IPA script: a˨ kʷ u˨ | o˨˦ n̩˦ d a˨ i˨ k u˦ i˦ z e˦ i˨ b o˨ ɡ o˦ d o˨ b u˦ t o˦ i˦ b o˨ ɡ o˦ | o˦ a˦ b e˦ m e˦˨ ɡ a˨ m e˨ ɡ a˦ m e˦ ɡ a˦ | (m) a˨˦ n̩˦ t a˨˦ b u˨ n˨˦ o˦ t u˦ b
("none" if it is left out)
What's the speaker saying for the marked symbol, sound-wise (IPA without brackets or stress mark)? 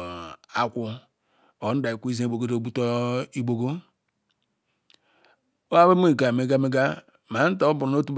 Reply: m